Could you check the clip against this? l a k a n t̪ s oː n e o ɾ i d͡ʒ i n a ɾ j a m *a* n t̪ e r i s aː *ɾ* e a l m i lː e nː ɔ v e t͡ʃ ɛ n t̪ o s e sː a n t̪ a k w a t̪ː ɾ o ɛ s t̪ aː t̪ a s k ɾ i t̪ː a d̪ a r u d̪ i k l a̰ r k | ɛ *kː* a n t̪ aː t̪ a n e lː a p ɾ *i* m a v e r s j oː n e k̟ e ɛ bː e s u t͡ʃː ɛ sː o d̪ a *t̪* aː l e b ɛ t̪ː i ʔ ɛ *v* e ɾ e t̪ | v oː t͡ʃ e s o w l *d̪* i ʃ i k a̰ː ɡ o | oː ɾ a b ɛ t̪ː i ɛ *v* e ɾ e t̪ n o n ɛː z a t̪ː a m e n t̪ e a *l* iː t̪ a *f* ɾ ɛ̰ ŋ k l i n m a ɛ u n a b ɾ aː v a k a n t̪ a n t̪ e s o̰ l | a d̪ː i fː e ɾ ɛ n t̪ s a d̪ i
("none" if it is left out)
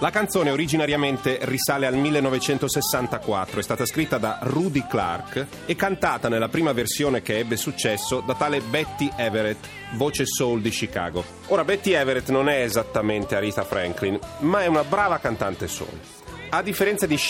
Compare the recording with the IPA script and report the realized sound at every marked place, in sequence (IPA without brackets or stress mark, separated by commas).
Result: e, l, kː, iː, t̪, v, d̪, v, ɾ, f